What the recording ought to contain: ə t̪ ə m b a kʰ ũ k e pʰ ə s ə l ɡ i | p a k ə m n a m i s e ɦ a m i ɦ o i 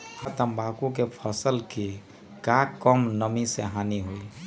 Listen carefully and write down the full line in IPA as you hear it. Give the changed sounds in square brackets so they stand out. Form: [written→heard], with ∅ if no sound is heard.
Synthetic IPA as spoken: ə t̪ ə m b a [kʰ→k] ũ k e pʰ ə s ə l [ɡ→k] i | [p→k] a k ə m n [a→ə] m i s e ɦ a [m→n] i ɦ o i